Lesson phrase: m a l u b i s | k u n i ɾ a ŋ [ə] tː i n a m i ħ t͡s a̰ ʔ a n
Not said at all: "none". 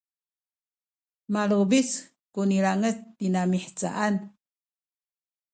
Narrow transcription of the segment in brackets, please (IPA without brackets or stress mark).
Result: ə